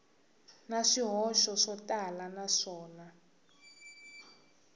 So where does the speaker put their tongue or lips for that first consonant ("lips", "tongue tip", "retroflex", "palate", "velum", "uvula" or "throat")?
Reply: tongue tip